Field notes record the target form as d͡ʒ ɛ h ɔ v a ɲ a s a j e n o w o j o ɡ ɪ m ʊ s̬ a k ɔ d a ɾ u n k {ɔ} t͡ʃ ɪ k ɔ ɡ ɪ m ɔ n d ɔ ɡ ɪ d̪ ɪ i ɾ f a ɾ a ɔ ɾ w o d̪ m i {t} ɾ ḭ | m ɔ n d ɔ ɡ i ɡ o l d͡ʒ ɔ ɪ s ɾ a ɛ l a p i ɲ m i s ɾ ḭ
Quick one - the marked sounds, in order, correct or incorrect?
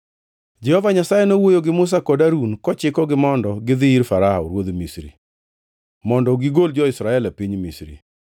correct, incorrect: s

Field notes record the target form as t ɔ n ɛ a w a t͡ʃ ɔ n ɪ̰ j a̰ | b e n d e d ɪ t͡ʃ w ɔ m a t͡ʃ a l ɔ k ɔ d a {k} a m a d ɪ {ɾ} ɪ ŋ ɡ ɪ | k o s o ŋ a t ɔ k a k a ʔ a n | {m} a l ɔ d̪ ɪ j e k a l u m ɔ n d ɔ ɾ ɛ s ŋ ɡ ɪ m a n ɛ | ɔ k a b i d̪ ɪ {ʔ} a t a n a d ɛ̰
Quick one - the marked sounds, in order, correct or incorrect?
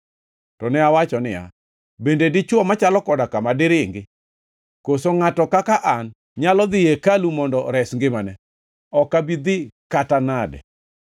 correct, correct, incorrect: ɲ, incorrect: k

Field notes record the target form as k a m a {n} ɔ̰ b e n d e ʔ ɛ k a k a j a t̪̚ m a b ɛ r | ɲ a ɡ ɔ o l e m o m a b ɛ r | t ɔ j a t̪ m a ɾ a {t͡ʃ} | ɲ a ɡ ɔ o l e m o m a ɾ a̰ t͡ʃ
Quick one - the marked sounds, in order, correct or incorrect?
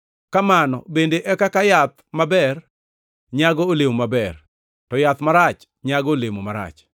correct, correct

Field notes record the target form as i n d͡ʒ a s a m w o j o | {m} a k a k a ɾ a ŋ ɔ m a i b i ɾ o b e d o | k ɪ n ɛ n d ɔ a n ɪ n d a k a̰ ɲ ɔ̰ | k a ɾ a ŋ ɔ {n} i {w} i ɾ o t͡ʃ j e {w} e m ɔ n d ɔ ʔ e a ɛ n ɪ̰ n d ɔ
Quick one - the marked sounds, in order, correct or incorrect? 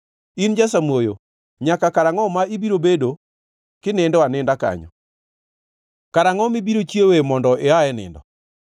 incorrect: ɲ, incorrect: m, incorrect: b, correct

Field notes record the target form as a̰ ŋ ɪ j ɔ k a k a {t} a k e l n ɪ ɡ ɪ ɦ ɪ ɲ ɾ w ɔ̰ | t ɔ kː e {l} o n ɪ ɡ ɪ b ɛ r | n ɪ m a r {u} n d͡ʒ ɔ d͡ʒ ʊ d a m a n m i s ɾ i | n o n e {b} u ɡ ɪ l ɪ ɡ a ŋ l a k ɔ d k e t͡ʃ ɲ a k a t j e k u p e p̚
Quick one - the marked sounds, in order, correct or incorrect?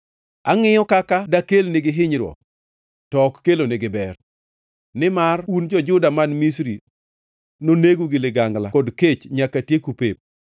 incorrect: d, correct, correct, incorrect: ɡ

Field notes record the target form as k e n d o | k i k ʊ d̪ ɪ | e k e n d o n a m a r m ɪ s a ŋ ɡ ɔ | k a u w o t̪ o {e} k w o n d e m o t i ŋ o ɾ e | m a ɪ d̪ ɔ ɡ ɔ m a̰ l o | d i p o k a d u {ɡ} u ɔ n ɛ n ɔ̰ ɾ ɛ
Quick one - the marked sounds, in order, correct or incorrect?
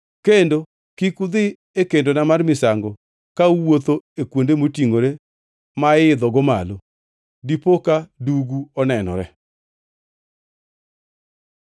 correct, correct

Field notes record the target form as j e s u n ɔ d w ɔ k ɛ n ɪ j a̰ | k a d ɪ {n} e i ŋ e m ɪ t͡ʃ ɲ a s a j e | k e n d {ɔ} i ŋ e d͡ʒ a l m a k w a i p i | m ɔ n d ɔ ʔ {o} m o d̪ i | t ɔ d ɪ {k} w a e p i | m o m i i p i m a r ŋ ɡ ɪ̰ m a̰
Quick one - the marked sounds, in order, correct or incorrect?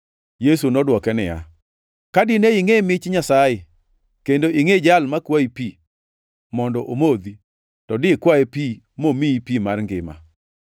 correct, incorrect: o, correct, correct

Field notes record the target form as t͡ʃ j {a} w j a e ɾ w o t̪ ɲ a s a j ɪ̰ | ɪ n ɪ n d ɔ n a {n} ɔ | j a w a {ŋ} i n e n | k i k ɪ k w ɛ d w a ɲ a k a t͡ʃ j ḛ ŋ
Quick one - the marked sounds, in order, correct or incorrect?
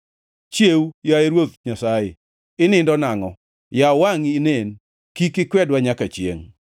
incorrect: e, incorrect: ŋ, correct

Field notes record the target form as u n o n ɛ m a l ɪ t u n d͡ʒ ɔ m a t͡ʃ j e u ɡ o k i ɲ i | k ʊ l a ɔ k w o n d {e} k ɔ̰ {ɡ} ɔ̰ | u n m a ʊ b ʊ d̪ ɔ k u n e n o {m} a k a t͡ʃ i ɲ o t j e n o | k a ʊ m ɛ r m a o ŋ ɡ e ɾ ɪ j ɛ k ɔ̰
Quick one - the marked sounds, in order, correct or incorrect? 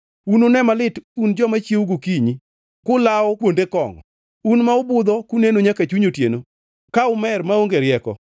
correct, incorrect: ŋ, incorrect: ɲ

